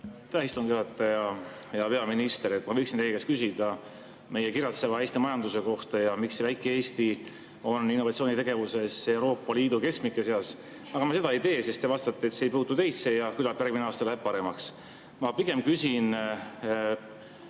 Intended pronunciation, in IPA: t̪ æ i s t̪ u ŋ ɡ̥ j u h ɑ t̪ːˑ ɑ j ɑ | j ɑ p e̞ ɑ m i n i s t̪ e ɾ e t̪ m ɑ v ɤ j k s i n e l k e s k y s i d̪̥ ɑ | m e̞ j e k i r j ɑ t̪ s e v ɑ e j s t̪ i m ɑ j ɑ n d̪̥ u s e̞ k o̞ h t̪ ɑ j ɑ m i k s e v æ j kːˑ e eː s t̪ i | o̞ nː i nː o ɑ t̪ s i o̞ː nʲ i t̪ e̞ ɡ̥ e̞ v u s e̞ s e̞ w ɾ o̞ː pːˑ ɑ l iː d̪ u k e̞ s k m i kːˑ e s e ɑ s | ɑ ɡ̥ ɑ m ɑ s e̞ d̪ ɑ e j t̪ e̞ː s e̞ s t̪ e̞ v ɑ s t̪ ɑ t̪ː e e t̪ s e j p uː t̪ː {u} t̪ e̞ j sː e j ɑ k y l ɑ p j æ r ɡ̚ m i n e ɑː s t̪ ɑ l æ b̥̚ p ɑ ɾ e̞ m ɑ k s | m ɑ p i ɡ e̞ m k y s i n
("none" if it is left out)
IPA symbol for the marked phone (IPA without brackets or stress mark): u